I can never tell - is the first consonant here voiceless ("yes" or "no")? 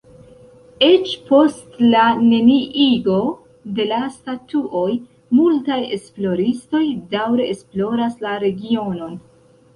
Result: yes